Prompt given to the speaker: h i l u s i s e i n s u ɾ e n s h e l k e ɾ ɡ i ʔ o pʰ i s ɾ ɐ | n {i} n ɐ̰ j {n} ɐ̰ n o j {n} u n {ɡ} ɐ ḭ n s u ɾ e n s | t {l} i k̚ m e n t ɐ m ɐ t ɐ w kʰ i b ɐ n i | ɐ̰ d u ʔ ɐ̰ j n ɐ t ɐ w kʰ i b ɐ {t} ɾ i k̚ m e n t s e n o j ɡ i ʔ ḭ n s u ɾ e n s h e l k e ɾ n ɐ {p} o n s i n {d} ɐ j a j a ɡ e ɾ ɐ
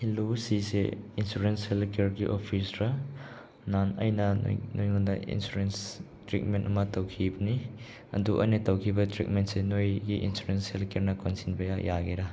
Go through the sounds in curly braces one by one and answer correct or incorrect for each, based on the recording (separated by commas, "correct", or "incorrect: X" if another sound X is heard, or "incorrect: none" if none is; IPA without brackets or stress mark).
incorrect: a, correct, incorrect: ŋ, incorrect: d, incorrect: ɾ, correct, incorrect: k, incorrect: b